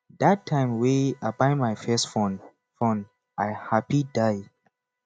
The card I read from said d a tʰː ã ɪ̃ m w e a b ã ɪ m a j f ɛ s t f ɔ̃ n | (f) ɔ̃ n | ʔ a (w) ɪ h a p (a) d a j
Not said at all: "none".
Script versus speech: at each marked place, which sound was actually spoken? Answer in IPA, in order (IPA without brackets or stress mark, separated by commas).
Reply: f, none, i